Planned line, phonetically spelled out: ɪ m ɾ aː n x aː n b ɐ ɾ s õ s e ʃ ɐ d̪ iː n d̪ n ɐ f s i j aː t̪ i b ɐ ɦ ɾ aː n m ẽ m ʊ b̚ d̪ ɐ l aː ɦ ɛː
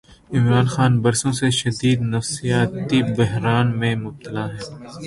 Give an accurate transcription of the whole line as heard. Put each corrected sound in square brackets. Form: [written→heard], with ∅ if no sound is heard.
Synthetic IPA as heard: ɪ m ɾ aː n x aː n b ɐ ɾ s õ s e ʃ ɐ d̪ iː [n→∅] d̪ n ɐ f s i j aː t̪ i b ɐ ɦ ɾ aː n m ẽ m ʊ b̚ [d̪→t̪] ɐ l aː ɦ ɛː